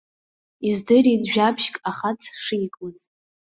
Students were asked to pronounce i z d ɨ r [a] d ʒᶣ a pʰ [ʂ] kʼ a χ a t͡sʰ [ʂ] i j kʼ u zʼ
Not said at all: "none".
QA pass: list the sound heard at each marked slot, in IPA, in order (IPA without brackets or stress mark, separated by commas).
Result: i, ʃ, ʂ